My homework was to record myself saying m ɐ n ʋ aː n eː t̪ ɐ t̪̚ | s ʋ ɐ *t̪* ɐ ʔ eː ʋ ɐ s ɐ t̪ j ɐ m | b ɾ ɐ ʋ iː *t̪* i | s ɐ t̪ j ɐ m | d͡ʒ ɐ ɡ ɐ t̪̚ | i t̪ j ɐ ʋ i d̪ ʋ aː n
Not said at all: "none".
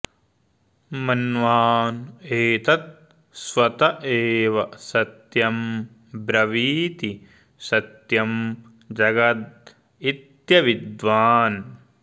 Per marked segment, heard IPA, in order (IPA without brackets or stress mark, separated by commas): t̪, t̪